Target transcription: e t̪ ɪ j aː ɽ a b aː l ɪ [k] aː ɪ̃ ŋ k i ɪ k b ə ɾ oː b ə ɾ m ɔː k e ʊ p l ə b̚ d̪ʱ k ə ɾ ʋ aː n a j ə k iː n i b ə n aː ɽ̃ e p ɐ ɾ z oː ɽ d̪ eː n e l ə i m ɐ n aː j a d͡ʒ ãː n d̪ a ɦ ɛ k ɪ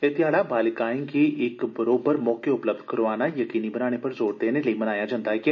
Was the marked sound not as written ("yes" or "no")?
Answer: no